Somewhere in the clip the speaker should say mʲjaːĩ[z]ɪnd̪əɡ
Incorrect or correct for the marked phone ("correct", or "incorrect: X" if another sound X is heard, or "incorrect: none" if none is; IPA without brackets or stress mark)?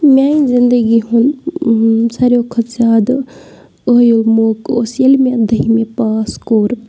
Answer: correct